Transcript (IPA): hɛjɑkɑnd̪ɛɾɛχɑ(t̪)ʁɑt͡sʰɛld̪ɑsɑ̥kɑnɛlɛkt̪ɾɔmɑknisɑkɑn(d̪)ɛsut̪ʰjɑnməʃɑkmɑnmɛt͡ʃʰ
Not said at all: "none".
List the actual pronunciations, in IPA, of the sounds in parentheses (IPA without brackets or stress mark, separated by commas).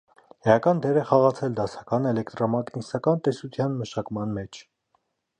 none, t̪